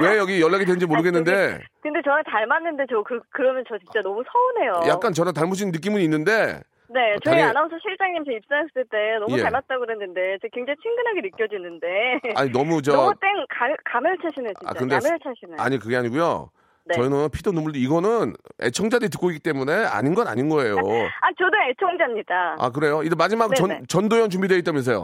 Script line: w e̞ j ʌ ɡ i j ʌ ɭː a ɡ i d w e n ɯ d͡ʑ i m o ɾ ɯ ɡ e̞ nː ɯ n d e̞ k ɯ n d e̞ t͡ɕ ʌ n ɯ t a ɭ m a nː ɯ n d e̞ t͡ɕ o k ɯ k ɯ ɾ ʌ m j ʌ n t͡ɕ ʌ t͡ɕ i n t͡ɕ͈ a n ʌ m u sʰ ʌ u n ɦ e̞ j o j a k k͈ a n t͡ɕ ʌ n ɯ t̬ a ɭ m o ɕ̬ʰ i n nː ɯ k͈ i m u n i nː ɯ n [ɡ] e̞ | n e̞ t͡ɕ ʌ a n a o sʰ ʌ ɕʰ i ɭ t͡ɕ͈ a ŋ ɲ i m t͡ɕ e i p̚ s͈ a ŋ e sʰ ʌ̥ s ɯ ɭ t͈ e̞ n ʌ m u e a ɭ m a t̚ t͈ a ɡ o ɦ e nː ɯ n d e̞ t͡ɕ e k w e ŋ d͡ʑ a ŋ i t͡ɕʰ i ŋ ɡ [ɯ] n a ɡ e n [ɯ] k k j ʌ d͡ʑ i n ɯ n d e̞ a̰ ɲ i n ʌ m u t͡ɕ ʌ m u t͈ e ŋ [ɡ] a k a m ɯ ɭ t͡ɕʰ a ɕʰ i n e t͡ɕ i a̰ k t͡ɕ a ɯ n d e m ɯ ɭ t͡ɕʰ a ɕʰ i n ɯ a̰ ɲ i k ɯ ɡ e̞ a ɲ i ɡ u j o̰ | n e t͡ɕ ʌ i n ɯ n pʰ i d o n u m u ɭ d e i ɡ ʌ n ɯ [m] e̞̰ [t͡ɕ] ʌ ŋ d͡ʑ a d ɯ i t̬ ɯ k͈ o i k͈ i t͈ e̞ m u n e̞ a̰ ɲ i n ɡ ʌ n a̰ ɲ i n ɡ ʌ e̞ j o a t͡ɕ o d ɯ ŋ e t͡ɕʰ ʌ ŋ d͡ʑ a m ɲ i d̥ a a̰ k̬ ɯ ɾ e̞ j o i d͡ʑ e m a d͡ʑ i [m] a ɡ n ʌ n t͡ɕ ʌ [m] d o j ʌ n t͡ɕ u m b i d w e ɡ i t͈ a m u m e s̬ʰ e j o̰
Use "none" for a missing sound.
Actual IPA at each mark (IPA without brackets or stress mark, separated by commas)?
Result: d, ɯ, ɯ, k, n, t͡ɕʰ, m, n